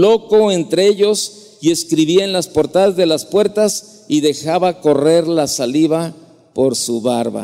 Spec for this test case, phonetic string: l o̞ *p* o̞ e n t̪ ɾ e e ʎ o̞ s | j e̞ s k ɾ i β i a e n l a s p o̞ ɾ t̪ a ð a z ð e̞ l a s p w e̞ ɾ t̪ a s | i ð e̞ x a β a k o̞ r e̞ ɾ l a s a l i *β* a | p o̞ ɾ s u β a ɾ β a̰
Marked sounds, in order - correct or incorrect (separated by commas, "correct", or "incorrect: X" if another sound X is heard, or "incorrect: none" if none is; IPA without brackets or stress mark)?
incorrect: k, correct